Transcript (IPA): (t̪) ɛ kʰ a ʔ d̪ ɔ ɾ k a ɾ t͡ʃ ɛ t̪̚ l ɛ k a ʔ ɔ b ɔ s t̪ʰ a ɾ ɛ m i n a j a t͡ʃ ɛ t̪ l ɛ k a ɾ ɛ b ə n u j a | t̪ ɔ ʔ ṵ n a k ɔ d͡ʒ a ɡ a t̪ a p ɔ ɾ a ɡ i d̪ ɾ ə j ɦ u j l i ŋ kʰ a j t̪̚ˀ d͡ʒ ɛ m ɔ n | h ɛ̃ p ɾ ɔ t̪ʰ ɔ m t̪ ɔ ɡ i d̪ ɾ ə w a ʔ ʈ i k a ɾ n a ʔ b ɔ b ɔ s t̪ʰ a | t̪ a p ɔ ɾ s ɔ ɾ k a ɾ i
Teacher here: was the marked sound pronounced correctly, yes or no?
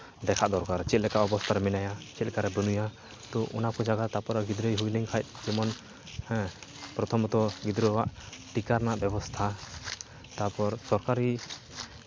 no